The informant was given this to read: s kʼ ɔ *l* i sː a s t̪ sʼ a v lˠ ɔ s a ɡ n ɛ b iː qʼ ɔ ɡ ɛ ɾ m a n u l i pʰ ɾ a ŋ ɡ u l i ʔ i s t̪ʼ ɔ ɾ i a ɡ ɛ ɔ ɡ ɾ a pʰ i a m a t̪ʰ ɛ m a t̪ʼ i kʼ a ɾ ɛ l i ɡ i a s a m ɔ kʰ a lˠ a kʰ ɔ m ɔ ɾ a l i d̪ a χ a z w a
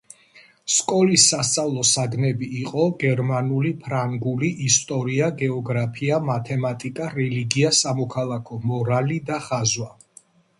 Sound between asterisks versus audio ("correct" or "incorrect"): correct